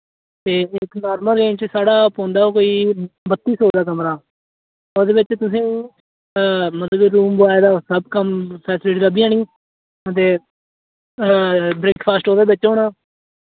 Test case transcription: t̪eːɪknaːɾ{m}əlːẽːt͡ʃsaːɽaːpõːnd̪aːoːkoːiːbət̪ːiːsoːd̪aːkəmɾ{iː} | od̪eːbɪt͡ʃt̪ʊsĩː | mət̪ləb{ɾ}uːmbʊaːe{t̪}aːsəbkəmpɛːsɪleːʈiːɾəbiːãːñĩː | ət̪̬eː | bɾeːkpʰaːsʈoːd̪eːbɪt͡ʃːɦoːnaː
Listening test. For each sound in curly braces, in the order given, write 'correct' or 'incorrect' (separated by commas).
correct, incorrect, correct, incorrect